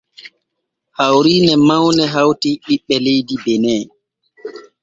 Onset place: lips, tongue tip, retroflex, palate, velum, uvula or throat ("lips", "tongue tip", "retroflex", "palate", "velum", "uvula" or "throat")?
throat